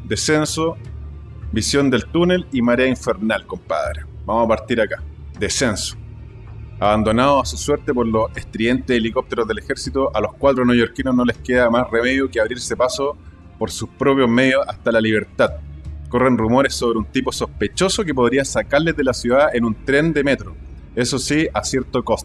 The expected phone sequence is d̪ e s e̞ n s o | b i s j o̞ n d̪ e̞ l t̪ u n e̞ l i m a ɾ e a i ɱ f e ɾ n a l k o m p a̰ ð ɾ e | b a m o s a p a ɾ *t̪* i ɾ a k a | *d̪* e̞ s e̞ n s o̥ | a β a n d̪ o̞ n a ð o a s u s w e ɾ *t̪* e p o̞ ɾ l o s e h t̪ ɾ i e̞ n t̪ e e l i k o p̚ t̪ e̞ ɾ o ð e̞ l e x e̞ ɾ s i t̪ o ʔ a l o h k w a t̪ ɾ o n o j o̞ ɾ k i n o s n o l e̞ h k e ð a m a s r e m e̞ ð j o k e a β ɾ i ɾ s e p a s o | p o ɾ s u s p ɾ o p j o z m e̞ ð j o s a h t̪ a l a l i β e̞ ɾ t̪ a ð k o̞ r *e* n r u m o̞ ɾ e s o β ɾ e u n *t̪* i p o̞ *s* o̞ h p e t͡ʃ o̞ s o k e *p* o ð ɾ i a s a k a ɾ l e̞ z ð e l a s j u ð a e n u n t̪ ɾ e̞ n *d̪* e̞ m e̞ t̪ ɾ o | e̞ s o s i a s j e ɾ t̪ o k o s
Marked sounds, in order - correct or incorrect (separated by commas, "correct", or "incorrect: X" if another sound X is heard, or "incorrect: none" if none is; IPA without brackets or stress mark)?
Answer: correct, correct, correct, correct, correct, correct, correct, correct